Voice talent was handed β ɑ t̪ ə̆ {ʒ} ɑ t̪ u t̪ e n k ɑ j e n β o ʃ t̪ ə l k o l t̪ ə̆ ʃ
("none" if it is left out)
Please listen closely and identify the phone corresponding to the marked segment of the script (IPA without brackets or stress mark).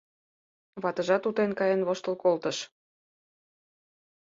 ʒ